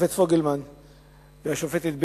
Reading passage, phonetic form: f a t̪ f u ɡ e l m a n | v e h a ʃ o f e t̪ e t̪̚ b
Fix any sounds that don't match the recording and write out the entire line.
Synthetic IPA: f e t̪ f o ɡ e l m a n | v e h a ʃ o f e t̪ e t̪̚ b